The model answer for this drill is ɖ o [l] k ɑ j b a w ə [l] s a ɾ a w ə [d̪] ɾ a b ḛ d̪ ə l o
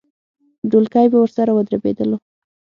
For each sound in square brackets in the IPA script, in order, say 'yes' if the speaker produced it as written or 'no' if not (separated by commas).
yes, no, yes